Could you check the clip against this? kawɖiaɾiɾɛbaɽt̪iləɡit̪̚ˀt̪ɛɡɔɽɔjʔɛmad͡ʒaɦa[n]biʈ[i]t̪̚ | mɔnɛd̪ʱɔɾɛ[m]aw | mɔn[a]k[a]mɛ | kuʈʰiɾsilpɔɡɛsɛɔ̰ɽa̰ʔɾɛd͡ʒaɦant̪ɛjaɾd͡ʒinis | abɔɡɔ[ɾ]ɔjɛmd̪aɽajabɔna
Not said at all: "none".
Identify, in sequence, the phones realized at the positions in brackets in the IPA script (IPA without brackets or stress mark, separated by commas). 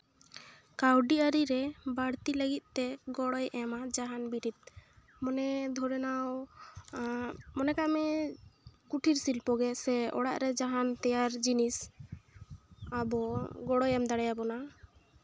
n, i, n, ɛ, a, ɽ